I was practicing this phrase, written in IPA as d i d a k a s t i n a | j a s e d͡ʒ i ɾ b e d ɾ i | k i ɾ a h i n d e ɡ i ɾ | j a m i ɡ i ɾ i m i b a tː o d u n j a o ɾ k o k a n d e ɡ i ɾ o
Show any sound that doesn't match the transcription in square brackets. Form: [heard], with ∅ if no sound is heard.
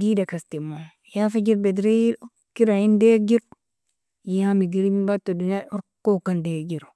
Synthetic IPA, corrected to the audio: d i d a k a s t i [m] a | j a [f] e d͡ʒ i ɾ b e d ɾ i | k i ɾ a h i n d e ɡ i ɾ | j a m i ɡ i ɾ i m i b a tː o d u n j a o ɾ k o k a n d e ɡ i ɾ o